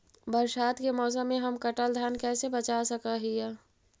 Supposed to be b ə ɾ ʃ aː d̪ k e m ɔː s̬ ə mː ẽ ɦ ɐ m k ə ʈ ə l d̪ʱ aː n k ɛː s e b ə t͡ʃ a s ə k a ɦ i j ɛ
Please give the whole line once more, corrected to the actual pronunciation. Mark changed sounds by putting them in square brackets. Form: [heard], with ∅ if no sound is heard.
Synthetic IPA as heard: b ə ɾ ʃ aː [t̪] k e m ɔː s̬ ə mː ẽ ɦ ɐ m k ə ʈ ə l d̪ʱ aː n k ɛː s e b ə t͡ʃ a s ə k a ɦ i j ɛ

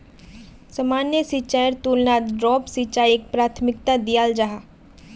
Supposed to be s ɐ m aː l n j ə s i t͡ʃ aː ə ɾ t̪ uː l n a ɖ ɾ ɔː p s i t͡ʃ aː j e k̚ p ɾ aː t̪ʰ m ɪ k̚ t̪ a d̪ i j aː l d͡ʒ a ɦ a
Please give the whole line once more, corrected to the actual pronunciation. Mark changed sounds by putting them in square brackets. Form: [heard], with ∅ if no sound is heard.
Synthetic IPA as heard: s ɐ m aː [∅] n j ə s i t͡ʃ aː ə ɾ t̪ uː l n a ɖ ɾ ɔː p s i t͡ʃ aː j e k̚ p ɾ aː t̪ʰ m ɪ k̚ t̪ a d̪ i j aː l d͡ʒ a ɦ a

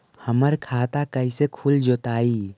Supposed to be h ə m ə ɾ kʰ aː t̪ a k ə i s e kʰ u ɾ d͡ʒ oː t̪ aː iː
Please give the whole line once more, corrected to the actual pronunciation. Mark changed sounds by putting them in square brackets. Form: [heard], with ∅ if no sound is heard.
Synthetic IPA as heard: h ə m ə ɾ kʰ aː t̪ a k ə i s e kʰ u [l] d͡ʒ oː t̪ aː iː

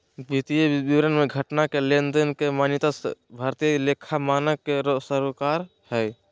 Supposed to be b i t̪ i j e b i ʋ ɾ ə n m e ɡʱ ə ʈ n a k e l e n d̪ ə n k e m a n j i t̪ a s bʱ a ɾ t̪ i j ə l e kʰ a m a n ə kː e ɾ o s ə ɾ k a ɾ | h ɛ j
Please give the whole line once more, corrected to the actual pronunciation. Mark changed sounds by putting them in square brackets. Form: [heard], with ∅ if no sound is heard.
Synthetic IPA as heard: b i t̪ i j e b i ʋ ɾ ə n m e ɡʱ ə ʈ n a k e l e n d̪ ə n k e m a n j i t̪ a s bʱ a ɾ t̪ i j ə l e kʰ a m a n ə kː e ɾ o s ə ɾ k a ɾ | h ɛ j

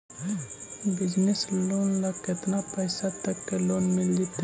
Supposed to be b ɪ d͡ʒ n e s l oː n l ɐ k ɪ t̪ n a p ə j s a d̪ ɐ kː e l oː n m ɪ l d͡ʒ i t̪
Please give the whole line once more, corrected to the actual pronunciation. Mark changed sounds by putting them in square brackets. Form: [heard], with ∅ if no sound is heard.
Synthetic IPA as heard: b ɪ d͡ʒ n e s l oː n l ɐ k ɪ t̪ n a p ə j s a [t̪] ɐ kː e l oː n m ɪ l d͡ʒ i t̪

